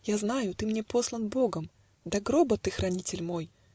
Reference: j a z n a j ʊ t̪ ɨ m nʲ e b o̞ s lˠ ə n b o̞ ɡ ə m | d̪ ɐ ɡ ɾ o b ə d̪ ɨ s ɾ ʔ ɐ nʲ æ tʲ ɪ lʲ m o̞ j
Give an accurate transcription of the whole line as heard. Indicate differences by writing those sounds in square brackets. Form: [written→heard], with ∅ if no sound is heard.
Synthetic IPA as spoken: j a z n a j ʊ t̪ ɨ m nʲ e [b→p] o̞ s lˠ ə n b o̞ ɡ ə m | d̪ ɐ ɡ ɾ o b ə [d̪→t̪] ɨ [s→x] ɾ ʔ ɐ nʲ [æ→i] tʲ ɪ lʲ m o̞ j